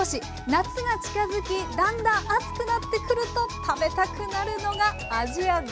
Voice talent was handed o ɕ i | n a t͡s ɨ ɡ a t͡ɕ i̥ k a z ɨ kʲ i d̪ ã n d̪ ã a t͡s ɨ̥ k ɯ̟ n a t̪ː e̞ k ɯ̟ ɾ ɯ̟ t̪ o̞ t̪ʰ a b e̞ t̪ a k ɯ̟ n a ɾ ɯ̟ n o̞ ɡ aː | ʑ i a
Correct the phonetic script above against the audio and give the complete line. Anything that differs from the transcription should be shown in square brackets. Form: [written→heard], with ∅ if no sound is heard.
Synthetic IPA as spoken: o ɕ i | n a t͡s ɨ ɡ a t͡ɕ i̥ k a z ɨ kʲ i d̪ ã n d̪ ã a t͡s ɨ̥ k ɯ̟ n a t̪ː e̞ k ɯ̟ ɾ ɯ̟ t̪ o̞ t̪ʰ a b e̞ t̪ a k ɯ̟ n a ɾ ɯ̟ n o̞ ɡ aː | ʑ i a